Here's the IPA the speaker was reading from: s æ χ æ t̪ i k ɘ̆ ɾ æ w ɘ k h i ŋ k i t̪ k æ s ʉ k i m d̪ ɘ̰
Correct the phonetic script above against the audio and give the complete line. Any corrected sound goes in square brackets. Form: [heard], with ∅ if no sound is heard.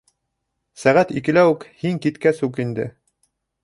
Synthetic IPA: s æ [ʁ] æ t̪ i k ɘ̆ [l] æ w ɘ k h i ŋ k i t̪ k æ s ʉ k i [n] d̪ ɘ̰